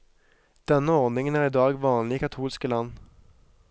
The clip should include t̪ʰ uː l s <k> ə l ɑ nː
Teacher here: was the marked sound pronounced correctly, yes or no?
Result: yes